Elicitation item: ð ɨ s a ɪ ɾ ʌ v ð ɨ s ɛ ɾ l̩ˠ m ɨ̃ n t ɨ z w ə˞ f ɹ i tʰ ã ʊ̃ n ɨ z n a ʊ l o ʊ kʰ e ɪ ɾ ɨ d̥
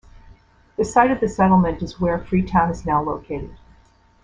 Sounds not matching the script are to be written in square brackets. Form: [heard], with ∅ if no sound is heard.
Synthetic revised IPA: ð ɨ s a ɪ ɾ ʌ v ð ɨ s ɛ ɾ l̩ˠ m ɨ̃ n t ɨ z w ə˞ f ɹ i tʰ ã ʊ̃ n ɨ z n a ʊ l o ʊ kʰ e ɪ ɾ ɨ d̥